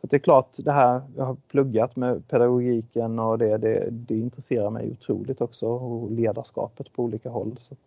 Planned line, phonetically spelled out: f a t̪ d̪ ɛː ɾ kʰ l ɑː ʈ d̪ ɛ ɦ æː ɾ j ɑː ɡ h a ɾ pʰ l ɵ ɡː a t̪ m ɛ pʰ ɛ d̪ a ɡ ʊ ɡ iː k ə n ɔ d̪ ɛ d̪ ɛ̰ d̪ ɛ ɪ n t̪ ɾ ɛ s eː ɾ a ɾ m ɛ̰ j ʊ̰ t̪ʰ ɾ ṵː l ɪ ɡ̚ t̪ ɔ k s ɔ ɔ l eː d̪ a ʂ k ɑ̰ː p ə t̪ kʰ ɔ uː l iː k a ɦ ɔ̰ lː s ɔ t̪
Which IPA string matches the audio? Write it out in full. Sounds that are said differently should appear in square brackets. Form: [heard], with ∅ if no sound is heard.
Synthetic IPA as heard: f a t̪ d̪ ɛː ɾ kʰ l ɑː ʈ d̪ ɛ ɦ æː ɾ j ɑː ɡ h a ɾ pʰ l ɵ ɡː a t̪ m ɛ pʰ ɛ d̪ a ɡ ʊ ɡ iː k ə n ɔ d̪ ɛ d̪ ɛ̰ d̪ ɛ ɪ n t̪ ɾ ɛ s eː ɾ a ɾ m ɛ̰ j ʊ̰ t̪ʰ ɾ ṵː l ɪ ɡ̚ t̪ ɔ k s ɔ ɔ l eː d̪ a ʂ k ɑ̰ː p ə t̪ [pʰ] ɔ uː l iː k a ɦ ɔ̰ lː s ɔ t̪